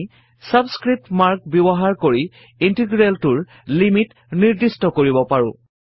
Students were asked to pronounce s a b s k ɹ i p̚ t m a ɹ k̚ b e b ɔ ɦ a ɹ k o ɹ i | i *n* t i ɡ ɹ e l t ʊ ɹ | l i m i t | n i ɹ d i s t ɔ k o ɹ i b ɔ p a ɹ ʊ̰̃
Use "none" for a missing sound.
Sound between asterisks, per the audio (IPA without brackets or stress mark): n